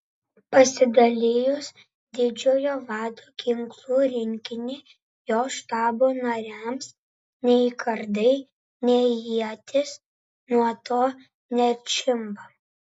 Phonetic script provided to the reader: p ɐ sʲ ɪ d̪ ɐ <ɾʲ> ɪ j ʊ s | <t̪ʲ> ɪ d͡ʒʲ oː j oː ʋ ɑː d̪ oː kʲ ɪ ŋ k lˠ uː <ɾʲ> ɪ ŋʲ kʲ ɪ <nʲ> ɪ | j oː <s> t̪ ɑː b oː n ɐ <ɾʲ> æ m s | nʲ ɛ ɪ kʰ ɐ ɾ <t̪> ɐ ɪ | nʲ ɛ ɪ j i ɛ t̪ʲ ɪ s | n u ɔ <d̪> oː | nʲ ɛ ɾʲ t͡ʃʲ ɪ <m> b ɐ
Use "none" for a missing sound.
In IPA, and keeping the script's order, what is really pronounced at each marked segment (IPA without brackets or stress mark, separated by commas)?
lʲ, d̪ʲ, ɾʲ, nʲ, ʃ, ɾʲ, d̪, t̪, m